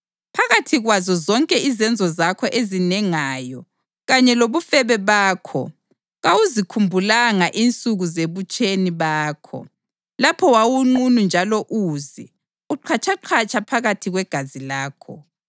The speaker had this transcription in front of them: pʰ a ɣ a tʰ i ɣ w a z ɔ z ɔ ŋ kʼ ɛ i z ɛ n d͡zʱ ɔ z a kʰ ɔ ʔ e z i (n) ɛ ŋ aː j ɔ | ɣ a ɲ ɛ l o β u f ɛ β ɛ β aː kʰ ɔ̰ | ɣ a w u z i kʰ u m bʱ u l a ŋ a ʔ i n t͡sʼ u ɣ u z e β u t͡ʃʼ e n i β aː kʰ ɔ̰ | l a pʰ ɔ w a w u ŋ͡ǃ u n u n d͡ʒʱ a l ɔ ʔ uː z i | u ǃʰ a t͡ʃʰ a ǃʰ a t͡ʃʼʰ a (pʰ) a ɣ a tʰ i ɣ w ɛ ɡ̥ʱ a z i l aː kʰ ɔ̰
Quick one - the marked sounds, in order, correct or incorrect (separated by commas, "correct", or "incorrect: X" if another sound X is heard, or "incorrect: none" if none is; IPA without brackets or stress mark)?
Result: correct, correct